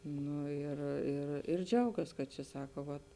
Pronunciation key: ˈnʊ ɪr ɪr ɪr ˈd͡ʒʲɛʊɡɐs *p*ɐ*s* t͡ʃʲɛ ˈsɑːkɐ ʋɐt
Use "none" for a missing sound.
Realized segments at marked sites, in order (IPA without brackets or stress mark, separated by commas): k, t